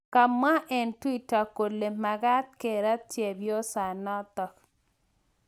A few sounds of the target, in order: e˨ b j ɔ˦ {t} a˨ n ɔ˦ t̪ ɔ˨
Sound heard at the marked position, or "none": s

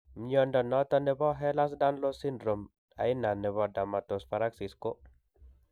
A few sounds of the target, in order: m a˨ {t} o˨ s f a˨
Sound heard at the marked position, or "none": t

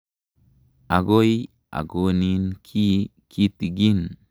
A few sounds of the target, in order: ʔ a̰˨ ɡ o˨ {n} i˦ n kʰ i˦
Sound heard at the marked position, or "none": n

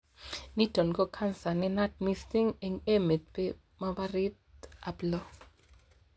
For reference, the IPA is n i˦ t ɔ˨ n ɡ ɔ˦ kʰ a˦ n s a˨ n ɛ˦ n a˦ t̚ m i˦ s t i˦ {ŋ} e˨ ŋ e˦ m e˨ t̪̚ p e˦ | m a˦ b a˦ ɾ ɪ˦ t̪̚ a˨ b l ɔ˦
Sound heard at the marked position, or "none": ŋ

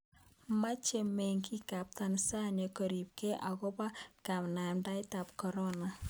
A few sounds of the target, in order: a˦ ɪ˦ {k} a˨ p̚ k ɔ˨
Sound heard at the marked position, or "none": t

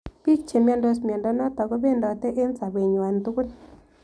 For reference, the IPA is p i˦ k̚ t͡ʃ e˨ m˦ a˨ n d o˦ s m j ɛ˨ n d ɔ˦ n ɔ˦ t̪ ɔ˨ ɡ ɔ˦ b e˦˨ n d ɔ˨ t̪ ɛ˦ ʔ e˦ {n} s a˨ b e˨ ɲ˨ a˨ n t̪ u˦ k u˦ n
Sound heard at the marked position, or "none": n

